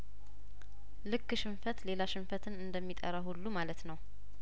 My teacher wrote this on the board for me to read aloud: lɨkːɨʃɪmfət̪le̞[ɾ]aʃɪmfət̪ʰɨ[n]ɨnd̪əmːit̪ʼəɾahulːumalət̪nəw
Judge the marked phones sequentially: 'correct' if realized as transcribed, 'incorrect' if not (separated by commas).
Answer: incorrect, correct